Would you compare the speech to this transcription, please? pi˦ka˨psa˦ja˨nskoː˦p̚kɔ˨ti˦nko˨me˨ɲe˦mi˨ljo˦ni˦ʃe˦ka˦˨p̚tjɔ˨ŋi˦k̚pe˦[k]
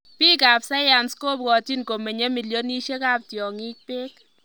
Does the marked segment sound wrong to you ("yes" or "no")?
no